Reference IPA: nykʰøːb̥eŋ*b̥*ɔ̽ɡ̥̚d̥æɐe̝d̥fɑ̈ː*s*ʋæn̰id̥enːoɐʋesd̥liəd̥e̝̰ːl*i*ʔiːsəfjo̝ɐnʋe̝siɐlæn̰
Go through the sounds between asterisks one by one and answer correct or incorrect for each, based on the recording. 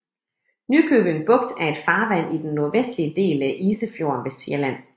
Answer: correct, incorrect: none, incorrect: æ

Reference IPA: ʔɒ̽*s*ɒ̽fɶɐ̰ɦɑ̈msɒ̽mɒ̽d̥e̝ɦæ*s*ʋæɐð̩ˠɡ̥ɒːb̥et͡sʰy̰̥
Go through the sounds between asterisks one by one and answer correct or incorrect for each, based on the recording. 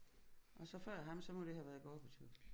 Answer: correct, incorrect: none

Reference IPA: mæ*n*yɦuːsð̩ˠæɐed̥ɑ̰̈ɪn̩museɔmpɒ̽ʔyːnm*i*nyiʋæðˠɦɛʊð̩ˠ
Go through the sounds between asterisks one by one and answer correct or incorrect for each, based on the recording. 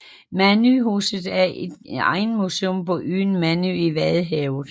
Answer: correct, incorrect: æ

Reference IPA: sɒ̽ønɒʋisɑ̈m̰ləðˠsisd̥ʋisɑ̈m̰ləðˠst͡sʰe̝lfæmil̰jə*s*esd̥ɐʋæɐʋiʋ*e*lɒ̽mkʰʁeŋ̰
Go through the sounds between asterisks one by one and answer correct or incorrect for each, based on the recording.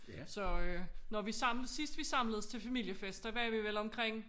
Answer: incorrect: f, correct

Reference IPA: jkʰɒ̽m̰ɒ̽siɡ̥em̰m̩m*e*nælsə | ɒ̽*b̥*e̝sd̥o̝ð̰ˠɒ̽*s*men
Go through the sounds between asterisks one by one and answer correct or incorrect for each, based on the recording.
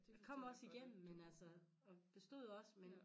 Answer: correct, correct, correct

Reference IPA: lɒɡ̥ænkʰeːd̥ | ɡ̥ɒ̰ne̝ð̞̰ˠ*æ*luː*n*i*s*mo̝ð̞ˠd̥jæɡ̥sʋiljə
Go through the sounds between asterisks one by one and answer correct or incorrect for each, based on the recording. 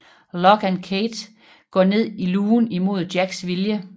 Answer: incorrect: i, correct, incorrect: none

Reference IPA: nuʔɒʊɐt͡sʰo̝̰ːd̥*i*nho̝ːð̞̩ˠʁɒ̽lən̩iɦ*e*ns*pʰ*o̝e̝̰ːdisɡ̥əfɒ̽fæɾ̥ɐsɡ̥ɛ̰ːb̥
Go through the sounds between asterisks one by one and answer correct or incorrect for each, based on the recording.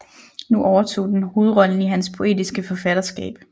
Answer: incorrect: e, incorrect: æ, correct

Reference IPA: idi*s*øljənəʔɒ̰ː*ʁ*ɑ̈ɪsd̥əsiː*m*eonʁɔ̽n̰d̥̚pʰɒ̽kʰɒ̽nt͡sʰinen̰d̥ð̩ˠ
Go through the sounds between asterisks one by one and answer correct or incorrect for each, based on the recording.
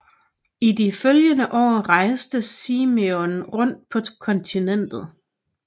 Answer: incorrect: f, correct, correct

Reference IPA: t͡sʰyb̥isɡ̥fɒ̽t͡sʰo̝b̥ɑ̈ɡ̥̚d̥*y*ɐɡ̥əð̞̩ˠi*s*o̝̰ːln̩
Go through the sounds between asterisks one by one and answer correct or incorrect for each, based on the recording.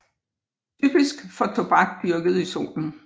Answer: correct, correct

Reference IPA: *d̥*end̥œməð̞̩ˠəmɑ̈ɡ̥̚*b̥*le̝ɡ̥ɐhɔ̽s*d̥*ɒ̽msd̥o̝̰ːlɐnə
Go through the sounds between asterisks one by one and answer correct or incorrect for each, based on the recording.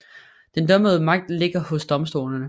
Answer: correct, incorrect: d̥, correct

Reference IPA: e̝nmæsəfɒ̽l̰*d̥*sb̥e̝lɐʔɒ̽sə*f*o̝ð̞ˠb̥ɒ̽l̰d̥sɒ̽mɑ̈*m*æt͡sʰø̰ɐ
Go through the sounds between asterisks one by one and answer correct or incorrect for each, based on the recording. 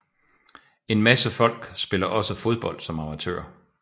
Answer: incorrect: ɡ̥, correct, correct

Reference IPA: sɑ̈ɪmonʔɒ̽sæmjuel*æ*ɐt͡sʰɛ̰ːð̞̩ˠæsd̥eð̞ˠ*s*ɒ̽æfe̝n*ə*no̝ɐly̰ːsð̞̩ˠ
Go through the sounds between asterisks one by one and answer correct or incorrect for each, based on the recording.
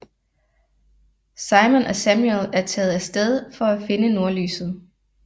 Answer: correct, incorrect: f, correct

